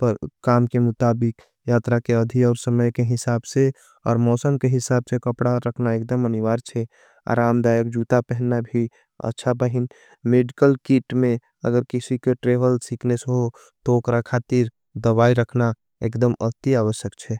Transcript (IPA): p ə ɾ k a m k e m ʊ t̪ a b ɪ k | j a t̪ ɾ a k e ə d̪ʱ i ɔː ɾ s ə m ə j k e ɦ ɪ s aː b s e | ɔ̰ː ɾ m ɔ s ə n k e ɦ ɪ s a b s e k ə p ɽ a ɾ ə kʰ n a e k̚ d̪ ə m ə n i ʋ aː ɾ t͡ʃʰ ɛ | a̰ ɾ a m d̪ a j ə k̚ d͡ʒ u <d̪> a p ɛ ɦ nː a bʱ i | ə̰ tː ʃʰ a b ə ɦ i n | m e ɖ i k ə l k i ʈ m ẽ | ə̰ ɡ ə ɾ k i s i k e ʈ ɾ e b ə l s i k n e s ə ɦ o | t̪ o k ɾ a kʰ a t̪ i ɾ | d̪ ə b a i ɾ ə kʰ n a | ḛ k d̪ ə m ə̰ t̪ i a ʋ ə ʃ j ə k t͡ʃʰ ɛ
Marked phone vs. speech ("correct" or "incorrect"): incorrect